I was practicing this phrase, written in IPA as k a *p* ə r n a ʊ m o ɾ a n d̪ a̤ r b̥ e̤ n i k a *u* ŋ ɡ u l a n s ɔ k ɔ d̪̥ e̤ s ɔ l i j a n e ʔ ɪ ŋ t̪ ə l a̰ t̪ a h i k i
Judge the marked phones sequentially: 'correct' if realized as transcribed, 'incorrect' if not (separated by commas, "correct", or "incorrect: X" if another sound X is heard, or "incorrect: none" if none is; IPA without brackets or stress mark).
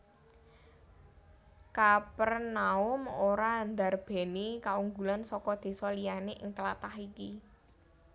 correct, correct